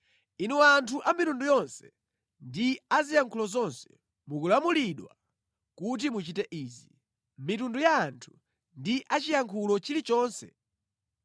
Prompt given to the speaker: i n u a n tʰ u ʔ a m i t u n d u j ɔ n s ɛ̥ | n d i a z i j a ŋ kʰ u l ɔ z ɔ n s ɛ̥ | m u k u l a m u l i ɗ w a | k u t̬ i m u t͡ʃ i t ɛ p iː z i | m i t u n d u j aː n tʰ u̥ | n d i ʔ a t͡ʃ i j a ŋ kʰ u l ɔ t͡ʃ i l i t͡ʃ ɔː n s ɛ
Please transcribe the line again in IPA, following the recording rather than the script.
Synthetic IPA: i n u a n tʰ u ʔ a m i t u n d u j ɔ n s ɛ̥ | n d i a z i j a ŋ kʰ u l ɔ z ɔ n s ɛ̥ | m u k u l a m u l i ɗ w a | k u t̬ i m u t͡ʃ i t ɛ ʔ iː z i | m i t u n d u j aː n tʰ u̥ | n d i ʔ a t͡ʃ i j a ŋ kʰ u l ɔ t͡ʃ i l i t͡ʃ ɔː n s ɛ